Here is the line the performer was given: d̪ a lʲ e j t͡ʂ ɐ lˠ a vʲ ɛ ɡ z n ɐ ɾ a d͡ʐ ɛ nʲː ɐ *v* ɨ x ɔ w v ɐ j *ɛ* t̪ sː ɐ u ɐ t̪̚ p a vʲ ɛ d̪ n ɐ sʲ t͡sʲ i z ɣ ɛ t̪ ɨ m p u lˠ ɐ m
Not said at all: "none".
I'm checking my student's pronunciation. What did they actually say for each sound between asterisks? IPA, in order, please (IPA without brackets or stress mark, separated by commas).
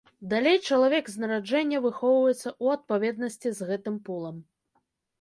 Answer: v, ɛ